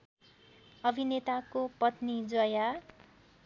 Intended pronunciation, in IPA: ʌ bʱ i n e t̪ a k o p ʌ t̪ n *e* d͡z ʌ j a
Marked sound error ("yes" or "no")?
yes